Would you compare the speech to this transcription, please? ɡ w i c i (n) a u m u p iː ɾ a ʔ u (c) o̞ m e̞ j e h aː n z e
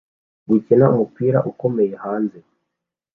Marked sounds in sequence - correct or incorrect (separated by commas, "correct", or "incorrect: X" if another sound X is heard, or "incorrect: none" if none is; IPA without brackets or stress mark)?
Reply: correct, incorrect: k